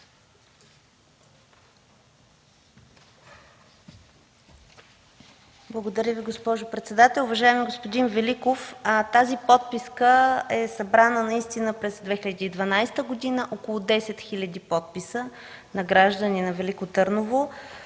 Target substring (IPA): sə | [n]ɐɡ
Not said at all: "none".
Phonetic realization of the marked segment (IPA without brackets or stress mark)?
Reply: n